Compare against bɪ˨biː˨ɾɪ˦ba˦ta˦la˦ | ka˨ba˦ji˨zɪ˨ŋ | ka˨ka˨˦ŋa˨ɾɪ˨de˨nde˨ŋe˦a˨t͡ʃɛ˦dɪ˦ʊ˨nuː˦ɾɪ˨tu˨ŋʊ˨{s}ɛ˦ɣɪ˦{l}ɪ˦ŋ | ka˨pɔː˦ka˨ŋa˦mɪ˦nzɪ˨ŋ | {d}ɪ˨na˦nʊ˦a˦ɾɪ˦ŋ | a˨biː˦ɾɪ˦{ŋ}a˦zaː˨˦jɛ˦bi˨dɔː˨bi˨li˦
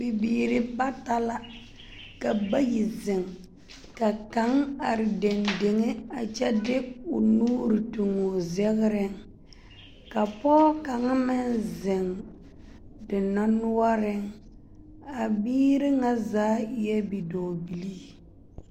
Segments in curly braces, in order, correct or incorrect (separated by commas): incorrect, incorrect, correct, correct